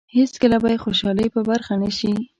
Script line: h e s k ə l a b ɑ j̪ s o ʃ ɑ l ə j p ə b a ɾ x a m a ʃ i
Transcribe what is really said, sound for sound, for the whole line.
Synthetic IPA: h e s k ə l a b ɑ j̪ x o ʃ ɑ l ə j p ə b a ɾ x a n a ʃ i